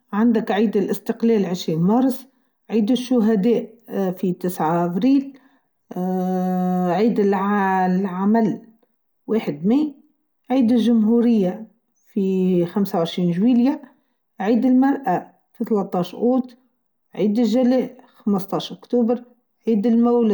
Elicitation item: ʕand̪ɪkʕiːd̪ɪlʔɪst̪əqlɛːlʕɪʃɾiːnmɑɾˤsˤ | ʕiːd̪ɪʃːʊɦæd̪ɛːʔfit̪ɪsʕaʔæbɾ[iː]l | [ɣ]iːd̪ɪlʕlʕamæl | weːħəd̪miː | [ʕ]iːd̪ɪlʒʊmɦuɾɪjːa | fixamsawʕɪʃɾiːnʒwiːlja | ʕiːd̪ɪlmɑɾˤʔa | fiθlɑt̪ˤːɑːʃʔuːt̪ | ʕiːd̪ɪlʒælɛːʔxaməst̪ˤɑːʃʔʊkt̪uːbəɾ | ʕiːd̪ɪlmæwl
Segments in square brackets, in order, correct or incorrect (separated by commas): correct, incorrect, correct